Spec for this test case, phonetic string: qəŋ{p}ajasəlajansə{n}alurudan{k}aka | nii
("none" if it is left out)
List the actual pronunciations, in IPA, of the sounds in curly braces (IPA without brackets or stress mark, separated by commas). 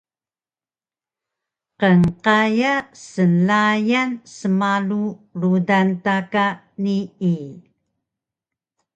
q, m, t